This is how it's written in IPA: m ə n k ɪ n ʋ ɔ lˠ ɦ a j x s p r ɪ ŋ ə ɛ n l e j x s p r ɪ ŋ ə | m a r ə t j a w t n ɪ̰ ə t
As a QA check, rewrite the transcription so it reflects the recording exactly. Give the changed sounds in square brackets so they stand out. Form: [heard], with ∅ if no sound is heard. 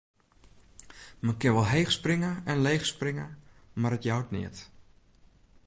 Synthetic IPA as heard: m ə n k ɪ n ʋ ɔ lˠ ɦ [e] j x s p r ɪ ŋ ə ɛ n l e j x s p r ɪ ŋ ə | m a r ə t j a w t n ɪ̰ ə t